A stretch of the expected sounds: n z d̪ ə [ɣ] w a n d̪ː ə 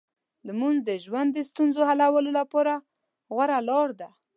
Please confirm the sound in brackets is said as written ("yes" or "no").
no